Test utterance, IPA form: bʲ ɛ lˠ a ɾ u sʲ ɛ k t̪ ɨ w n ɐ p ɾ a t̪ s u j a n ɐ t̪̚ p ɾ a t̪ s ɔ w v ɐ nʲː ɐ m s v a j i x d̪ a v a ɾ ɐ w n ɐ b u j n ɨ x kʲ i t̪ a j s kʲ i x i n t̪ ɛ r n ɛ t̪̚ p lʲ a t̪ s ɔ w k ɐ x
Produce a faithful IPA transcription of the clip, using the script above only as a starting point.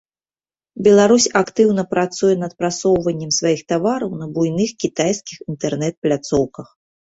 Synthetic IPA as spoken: bʲ ɛ lˠ a ɾ u sʲ a k t̪ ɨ w n ɐ p ɾ a t̪ s u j ɛ n ɐ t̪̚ p ɾ a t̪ s ɔ w v ɐ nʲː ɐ m s v a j i x t̪ a v a ɾ ɐ w n ɐ b u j n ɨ x kʲ i t̪ a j s kʲ i x i n t̪ ɛ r n ɛ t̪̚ p lʲ a t̪ s ɔ w k ɐ x